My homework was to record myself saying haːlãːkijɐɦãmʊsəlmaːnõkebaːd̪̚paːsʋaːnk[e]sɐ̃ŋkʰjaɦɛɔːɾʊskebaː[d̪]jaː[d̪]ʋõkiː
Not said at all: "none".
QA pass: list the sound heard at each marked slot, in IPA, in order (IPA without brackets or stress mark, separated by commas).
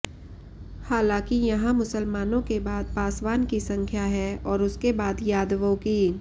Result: i, d̪, d̪